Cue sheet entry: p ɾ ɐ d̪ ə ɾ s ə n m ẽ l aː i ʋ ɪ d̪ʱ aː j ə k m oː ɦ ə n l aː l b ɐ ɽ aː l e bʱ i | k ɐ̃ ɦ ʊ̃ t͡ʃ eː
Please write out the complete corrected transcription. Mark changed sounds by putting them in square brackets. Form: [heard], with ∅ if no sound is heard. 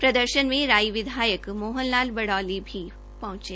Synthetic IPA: p ɾ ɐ d̪ ə ɾ [ʃ] ə n m ẽ [ɾ] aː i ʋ ɪ d̪ʱ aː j ə k m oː ɦ ə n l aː l b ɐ ɽ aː l [i] bʱ i | [p] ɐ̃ ɦ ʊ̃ t͡ʃ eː